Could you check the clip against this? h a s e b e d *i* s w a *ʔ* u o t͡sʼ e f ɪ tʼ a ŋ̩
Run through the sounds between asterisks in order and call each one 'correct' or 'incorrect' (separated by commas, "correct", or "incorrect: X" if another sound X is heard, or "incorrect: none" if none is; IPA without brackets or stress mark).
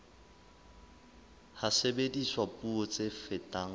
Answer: correct, incorrect: p